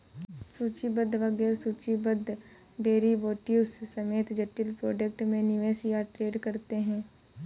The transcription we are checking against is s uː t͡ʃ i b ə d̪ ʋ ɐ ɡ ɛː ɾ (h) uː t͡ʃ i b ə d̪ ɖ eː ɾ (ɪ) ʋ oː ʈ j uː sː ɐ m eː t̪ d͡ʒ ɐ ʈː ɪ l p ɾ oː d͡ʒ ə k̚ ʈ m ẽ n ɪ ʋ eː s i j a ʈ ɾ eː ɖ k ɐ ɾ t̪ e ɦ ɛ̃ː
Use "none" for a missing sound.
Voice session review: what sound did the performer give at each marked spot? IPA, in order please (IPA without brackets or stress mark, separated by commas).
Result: s, i